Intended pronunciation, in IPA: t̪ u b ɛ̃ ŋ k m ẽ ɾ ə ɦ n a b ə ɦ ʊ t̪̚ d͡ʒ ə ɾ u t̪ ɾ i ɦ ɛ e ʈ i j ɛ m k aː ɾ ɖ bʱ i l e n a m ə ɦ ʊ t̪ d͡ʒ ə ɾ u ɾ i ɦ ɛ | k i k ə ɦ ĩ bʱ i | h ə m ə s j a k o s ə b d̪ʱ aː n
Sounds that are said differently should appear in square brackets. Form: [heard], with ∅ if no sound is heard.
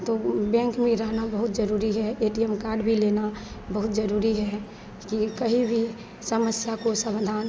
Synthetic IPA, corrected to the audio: t̪ [o] b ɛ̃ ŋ k m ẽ ɾ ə ɦ n a b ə ɦ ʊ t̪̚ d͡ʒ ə ɾ u [∅] ɾ i ɦ ɛ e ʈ i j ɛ m k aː ɾ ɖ bʱ i l e n a [b] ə ɦ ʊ t̪ d͡ʒ ə ɾ u ɾ i ɦ ɛ | k i k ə ɦ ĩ bʱ i | [s] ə m ə s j a k o s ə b d̪ʱ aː n